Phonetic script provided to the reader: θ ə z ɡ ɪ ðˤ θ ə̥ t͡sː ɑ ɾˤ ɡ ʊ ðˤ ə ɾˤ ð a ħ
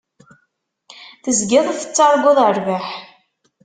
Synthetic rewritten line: θ ə z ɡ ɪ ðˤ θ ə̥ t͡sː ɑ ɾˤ ɡ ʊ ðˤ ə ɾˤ v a ħ